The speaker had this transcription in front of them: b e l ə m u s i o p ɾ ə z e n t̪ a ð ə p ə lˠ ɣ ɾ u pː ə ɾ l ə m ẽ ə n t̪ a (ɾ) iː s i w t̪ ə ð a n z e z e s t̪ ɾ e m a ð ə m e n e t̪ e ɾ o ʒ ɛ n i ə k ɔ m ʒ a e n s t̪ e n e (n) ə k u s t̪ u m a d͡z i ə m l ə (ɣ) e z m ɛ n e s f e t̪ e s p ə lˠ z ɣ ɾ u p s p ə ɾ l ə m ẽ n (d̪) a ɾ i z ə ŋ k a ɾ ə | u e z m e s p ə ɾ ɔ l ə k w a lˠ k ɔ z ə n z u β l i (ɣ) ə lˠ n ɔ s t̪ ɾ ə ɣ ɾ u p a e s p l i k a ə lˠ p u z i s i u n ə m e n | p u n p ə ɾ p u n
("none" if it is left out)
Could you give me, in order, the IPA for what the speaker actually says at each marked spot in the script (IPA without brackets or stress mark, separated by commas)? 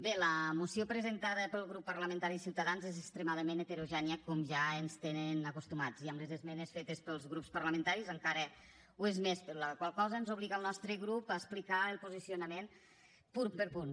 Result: ɾ, n, z, t̪, ɣ